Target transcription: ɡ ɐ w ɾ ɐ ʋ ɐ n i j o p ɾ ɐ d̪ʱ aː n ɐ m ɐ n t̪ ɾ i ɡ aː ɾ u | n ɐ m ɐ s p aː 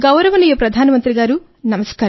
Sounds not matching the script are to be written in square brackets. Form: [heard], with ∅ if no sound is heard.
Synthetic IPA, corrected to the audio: ɡ ɐ w ɾ ɐ ʋ ɐ n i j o p ɾ ɐ d̪ʱ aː n ɐ m ɐ n t̪ ɾ i ɡ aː ɾ u | n ɐ m ɐ s [k] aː